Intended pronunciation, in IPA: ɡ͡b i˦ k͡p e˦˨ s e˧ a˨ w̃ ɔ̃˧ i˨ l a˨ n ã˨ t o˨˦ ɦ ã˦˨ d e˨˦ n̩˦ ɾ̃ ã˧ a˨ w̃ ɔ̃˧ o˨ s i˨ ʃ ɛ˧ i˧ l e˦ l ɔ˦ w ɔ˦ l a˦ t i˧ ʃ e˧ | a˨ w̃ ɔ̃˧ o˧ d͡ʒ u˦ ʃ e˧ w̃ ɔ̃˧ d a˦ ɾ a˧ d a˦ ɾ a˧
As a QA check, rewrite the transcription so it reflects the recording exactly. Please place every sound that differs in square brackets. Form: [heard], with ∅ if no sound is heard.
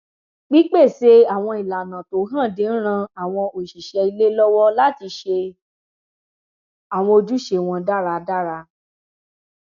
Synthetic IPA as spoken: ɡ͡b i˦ k͡p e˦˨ s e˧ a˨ w̃ ɔ̃˧ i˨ l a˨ n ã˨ t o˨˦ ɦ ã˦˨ d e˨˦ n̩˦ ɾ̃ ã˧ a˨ w̃ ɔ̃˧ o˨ [ʃ] i˨ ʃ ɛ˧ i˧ l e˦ l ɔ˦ w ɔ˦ l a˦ t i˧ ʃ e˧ | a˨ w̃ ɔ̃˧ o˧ d͡ʒ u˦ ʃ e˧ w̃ ɔ̃˧ d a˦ ɾ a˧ d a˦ ɾ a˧